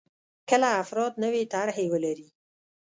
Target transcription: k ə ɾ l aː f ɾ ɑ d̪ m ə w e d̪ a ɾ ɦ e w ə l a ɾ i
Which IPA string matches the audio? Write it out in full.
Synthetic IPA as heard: k ə l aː f ɾ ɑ d̪ n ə w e t̪ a ɾ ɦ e w ə l a ɾ i